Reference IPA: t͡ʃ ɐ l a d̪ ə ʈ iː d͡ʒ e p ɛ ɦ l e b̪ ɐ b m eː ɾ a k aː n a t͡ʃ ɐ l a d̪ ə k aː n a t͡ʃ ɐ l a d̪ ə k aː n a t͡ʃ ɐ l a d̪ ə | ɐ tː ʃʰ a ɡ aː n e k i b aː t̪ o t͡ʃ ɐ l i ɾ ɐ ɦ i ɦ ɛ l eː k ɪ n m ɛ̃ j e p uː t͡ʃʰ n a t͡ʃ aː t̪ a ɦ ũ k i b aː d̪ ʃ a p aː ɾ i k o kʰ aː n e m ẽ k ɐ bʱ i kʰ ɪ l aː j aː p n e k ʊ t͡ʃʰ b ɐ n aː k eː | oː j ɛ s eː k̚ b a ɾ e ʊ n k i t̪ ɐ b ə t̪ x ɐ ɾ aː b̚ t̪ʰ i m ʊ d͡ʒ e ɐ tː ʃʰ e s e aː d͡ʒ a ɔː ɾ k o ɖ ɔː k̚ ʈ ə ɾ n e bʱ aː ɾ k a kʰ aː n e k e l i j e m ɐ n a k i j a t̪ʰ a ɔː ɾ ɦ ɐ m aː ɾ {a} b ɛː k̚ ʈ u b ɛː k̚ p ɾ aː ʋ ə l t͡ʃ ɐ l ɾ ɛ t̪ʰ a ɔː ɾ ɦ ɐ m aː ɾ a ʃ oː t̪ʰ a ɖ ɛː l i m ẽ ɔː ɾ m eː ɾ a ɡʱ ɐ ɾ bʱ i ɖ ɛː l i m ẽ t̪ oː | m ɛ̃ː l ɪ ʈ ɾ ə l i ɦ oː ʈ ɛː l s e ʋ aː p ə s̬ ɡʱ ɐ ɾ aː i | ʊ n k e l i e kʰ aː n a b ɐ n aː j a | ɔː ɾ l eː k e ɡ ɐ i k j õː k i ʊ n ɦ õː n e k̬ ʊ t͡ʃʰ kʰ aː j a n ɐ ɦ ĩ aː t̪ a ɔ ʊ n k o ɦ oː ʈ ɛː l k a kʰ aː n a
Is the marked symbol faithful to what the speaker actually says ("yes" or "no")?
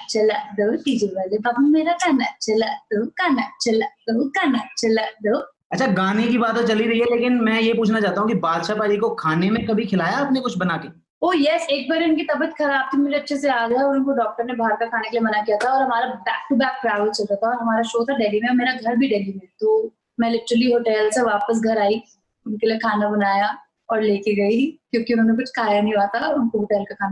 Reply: yes